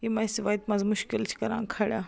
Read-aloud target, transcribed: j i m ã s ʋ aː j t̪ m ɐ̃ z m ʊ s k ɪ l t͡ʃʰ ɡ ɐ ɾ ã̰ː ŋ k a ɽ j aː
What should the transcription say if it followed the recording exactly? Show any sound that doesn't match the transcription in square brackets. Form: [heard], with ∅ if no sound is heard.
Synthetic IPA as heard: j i m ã s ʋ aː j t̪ m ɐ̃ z m ʊ [ʃ] k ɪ l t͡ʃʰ [k] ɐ ɾ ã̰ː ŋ [kʰ] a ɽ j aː

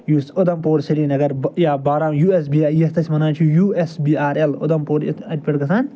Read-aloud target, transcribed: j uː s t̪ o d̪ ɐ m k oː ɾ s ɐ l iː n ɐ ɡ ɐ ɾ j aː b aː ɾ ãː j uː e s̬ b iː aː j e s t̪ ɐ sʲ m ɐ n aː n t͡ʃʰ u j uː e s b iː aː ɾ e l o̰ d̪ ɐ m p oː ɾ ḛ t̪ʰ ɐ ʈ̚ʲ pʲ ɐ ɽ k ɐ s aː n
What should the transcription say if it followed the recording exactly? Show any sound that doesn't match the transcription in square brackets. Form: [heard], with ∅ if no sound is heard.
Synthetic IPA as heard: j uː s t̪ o d̪ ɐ m [p] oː ɾ s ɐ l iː n ɐ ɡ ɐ ɾ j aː b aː ɾ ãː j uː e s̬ b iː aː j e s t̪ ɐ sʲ m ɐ n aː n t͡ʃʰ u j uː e s b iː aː ɾ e l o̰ d̪ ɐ m p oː ɾ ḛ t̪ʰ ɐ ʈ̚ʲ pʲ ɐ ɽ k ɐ s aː n

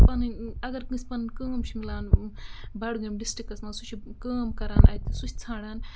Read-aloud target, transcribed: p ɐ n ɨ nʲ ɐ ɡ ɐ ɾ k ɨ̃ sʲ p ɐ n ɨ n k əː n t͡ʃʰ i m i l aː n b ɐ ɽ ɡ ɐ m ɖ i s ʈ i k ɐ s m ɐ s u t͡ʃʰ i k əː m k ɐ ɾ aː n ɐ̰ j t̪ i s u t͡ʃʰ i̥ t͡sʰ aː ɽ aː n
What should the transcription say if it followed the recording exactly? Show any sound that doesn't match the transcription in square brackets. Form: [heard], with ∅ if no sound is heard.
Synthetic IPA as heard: p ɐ n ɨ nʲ ɐ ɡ ɐ ɾ k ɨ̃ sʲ p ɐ n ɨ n k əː [m] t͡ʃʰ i m i l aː n b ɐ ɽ ɡ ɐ m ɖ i s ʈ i k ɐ s m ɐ s u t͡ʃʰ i k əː m k ɐ ɾ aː n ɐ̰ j t̪ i s u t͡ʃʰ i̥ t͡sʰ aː ɽ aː n

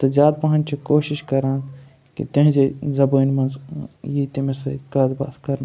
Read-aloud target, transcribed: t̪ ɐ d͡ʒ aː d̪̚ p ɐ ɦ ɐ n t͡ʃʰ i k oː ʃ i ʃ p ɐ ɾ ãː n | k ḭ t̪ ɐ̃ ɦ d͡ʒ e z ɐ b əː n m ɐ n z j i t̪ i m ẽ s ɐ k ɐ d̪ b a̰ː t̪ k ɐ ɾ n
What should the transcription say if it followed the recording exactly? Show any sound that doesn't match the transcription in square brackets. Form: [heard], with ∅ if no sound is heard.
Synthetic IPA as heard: t̪ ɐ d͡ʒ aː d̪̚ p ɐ ɦ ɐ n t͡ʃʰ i k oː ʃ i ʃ [k] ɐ ɾ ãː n | k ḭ t̪ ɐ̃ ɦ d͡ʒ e z ɐ b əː n m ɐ n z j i t̪ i m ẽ s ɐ k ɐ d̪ b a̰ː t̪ k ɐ ɾ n

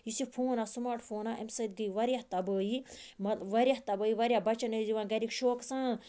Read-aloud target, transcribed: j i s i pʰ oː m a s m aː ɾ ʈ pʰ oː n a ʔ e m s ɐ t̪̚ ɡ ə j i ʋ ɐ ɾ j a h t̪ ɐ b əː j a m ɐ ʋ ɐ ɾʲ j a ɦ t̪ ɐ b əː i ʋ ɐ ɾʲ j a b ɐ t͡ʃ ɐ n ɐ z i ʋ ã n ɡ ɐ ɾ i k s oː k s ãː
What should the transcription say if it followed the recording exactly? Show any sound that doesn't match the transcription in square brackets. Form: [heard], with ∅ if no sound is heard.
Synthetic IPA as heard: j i s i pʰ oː [n] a s m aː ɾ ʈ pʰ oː n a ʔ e m s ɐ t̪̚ ɡ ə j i ʋ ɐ ɾ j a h t̪ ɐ b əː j [i] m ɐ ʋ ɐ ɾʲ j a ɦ t̪ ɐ b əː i ʋ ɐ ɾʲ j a b ɐ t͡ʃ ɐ n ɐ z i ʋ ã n ɡ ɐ ɾ i k [ʃ] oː k s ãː

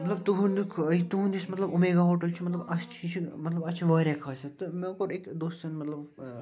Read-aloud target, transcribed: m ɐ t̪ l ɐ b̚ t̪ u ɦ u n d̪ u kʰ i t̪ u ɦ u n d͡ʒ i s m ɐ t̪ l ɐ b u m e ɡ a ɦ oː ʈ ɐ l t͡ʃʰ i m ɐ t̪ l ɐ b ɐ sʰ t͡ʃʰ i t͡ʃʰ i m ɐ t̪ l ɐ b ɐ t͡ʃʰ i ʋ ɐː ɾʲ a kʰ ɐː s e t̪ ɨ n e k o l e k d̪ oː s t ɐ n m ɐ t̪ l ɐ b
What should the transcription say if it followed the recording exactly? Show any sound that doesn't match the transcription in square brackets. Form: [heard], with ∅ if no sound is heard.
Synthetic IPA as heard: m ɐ t̪ l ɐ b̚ t̪ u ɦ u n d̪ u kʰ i t̪ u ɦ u n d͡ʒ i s m ɐ t̪ l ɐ b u m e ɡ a ɦ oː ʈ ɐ l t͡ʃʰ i m ɐ t̪ l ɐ b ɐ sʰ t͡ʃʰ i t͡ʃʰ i m ɐ t̪ l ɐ b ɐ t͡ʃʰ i ʋ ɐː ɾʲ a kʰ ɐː s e t̪ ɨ [m] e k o [ɾ] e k d̪ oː s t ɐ n m ɐ t̪ l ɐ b

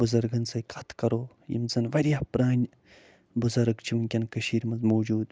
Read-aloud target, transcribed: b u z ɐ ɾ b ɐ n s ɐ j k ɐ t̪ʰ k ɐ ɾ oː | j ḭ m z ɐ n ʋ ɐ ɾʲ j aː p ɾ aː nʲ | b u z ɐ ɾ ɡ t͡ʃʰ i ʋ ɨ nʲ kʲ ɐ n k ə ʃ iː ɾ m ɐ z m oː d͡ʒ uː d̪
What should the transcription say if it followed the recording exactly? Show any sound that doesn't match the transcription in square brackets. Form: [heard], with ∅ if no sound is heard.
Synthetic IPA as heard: b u z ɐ ɾ [ɡ] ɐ n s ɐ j k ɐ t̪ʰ k ɐ ɾ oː | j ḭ m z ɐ n ʋ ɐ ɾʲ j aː p ɾ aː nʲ | b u z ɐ ɾ ɡ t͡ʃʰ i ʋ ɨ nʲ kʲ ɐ n k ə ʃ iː ɾ m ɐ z m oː d͡ʒ uː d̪

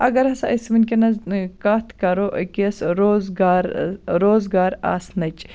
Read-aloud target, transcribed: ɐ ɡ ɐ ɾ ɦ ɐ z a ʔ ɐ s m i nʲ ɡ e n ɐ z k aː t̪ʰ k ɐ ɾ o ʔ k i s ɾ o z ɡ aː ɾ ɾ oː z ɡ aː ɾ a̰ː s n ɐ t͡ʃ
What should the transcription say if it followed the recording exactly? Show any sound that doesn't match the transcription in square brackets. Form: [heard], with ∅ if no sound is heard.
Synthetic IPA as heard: ɐ ɡ ɐ ɾ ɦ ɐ [s] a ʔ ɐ s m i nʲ [k] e n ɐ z k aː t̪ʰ k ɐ ɾ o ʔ k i s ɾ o z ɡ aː ɾ ɾ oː z ɡ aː ɾ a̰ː s n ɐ t͡ʃ

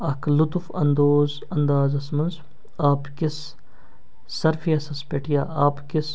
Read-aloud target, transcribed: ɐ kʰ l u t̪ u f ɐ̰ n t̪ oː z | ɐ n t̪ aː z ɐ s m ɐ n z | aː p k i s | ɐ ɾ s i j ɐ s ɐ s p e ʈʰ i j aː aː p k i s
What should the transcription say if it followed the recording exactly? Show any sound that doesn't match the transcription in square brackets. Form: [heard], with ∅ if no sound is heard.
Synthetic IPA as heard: ɐ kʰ l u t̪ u f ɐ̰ n [d̪] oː z | ɐ n [d̪] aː z ɐ s m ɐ n z | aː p k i s | ɐ ɾ [f] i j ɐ s ɐ s p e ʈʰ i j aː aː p k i s

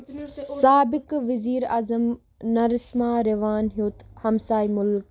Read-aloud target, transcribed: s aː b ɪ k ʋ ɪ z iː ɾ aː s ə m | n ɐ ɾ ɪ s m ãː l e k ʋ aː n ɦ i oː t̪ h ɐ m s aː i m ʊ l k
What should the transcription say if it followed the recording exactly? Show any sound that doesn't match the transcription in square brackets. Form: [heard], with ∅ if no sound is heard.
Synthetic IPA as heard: s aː b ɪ k ʋ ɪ z iː ɾ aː [z] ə m | n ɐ ɾ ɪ s m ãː [ɾ] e [∅] ʋ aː n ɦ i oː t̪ h ɐ m s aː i m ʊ l k

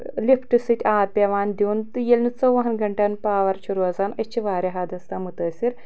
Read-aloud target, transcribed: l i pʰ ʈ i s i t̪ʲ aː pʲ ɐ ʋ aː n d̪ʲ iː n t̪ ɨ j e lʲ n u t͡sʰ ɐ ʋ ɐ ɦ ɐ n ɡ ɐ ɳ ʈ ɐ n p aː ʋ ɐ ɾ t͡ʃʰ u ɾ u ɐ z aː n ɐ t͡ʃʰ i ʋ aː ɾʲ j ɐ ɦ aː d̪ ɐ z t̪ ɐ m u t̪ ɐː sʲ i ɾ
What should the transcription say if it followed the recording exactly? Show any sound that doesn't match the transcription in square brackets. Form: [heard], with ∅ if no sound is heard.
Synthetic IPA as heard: l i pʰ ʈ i s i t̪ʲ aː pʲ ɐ ʋ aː n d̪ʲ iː n t̪ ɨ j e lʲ n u [t͡s] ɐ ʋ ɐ ɦ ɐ n ɡ ɐ ɳ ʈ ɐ n p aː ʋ ɐ ɾ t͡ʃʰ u ɾ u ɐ z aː n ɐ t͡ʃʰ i ʋ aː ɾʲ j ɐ ɦ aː d̪ ɐ [s] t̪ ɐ m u t̪ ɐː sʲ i ɾ

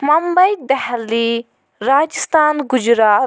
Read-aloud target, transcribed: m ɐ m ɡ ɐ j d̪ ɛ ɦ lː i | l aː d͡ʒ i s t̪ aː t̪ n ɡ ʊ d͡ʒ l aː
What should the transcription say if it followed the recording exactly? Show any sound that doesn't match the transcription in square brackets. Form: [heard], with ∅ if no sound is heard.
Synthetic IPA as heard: m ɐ m [b] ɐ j d̪ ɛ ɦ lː i | [ɾ] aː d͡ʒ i s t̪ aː [∅] n ɡ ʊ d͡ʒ [ɾ] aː

